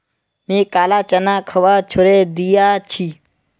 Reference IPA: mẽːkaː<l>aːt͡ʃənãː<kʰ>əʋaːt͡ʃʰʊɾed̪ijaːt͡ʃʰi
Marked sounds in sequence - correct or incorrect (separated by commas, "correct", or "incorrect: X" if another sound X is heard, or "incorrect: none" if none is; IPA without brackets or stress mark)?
correct, correct